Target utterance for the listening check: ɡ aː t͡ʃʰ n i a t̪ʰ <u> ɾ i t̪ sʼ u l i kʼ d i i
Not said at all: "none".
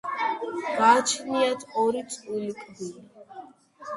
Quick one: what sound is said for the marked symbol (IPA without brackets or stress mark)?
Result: ɔ